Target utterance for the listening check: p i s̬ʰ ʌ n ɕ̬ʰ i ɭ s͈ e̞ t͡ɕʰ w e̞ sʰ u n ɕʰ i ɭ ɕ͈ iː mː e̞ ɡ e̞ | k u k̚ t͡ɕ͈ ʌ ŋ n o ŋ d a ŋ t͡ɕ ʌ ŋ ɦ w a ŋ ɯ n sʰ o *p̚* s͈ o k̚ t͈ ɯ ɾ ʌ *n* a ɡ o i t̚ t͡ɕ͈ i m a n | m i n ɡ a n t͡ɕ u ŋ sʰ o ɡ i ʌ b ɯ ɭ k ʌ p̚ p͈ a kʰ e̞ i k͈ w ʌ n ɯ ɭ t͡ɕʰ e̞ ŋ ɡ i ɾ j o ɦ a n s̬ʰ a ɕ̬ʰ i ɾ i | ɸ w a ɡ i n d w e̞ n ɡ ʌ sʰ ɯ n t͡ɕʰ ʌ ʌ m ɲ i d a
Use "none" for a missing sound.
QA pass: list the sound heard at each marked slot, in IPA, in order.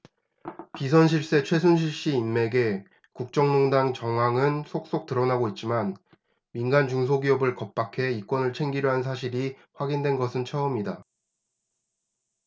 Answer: k̚, n

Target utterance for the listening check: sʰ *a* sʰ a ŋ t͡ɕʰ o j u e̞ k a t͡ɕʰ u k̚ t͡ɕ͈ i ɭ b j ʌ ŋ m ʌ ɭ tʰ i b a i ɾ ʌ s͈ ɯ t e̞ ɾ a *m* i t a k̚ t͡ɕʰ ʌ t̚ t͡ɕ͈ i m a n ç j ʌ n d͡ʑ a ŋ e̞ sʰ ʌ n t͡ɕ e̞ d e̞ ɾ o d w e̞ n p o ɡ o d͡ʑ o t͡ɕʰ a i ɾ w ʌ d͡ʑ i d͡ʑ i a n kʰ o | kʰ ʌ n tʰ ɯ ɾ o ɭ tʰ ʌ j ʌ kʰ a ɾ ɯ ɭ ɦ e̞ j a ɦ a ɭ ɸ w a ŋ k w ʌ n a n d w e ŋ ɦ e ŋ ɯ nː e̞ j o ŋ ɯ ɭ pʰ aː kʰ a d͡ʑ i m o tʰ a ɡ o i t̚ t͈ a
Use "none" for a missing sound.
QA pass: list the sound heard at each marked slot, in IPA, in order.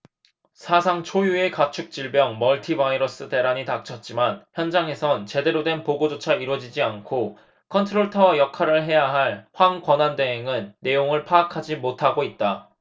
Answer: a, ɲ

